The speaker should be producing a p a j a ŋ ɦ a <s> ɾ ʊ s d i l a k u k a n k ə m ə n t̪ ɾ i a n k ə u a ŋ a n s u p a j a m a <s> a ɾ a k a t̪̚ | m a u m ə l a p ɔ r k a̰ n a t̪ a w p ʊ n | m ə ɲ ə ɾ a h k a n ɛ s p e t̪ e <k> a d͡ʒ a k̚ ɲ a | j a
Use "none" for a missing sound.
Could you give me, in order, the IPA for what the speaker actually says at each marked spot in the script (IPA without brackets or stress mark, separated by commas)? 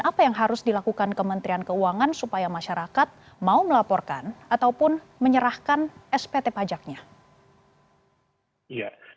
none, ʃ, p